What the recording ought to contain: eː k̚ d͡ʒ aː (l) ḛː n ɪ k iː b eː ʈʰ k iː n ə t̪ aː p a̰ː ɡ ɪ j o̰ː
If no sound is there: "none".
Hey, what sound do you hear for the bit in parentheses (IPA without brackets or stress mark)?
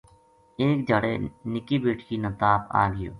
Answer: ɽ